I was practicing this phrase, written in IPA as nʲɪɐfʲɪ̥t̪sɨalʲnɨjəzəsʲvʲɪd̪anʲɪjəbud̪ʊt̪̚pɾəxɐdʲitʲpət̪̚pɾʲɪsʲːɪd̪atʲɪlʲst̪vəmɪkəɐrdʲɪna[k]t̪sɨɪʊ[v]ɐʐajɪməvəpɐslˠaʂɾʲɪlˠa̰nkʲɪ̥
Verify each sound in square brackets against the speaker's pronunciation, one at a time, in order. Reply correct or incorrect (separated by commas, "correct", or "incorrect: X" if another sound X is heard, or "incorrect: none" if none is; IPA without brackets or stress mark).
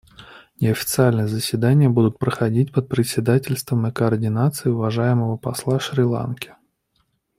incorrect: none, correct